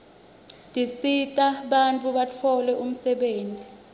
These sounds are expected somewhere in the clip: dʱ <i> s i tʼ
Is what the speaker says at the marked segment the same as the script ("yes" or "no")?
yes